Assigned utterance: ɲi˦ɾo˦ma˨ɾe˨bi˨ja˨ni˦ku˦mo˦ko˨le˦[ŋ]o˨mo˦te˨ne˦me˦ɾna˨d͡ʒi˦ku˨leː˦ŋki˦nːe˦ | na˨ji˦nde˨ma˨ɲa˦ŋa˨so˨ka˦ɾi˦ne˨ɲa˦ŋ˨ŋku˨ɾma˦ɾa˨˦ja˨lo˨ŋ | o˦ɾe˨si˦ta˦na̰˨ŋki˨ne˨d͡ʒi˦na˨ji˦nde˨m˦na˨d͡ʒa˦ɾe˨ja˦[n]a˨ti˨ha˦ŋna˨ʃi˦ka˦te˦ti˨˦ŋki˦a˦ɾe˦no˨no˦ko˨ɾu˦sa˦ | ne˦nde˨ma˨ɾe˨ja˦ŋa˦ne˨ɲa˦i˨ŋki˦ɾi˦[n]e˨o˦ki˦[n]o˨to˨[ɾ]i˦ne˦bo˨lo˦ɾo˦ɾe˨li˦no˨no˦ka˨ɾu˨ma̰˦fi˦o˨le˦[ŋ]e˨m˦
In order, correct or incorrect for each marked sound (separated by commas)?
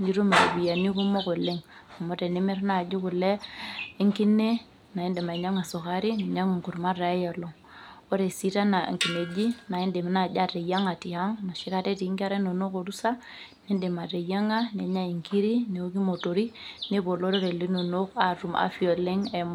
correct, incorrect, correct, incorrect, correct, correct